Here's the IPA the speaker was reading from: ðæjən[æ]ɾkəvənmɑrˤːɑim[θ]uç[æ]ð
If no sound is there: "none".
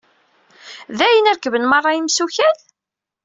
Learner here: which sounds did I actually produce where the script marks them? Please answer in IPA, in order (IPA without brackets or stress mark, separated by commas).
æ, s, æ